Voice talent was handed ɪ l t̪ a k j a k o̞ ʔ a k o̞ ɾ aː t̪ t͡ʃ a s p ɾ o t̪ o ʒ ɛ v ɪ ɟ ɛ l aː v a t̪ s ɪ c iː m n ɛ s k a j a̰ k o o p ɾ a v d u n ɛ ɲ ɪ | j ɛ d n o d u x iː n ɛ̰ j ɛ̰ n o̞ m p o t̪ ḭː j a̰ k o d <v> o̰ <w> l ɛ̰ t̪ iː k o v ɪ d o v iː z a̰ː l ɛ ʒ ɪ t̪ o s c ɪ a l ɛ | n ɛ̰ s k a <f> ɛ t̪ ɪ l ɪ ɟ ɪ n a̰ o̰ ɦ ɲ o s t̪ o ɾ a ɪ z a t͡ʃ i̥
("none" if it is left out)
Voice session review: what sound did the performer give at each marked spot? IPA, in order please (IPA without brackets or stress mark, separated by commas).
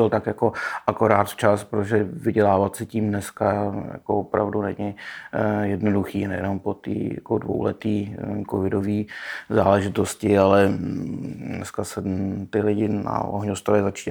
v, w, s